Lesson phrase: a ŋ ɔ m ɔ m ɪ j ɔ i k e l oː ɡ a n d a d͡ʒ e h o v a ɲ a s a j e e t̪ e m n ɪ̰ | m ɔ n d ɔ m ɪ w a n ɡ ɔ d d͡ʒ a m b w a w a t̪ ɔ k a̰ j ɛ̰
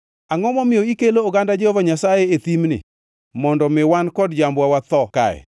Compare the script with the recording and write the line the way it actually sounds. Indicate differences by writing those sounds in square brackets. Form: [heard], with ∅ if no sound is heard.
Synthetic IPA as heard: a ŋ ɔ m ɔ m ɪ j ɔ i k e l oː ɡ a n d a d͡ʒ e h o v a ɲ a s a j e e t̪ [i] m n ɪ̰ | m ɔ n d ɔ m ɪ w a n [k] ɔ d d͡ʒ a m b w a w a t̪ ɔ k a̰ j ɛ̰